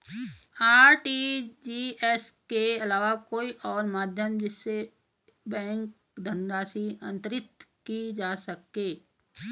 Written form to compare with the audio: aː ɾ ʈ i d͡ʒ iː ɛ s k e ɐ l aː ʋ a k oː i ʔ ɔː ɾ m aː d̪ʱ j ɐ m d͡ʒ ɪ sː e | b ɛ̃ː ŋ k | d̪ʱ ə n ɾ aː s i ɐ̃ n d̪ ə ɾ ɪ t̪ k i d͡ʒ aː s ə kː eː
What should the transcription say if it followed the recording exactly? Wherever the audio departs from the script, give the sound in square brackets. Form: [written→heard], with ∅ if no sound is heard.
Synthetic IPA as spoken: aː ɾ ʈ i d͡ʒ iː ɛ s k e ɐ l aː ʋ a k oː i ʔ ɔː ɾ m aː d̪ʱ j [ɐ→ə] m d͡ʒ ɪ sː e | b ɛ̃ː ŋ k | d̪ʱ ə n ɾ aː s i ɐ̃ n [d̪→t̪] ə ɾ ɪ t̪ k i d͡ʒ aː s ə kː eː